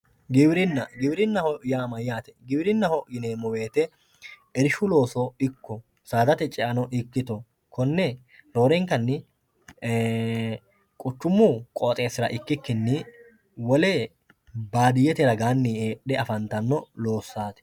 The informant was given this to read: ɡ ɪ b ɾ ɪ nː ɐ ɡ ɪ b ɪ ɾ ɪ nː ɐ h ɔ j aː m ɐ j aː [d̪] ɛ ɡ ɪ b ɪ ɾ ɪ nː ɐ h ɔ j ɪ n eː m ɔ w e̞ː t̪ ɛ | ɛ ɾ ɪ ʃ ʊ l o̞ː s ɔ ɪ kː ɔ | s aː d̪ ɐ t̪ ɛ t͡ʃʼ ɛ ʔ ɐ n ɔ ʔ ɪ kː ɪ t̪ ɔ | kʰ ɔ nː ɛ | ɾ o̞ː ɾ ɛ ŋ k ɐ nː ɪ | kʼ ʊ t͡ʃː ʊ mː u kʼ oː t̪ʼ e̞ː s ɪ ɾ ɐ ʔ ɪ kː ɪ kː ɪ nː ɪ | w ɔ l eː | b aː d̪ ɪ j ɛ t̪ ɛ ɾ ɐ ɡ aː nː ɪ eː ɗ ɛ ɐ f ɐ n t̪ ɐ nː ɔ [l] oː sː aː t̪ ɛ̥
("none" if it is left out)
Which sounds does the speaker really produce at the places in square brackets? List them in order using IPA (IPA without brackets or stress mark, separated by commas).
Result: t̪, l